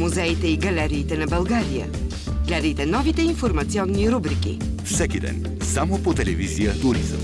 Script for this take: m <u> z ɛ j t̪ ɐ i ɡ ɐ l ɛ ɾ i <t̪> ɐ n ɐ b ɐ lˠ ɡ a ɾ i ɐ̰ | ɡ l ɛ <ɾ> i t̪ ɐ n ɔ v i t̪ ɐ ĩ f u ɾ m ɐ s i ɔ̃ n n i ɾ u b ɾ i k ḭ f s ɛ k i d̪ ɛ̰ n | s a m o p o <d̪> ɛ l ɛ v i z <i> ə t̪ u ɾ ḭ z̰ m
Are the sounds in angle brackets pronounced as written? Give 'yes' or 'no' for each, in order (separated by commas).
yes, yes, yes, no, yes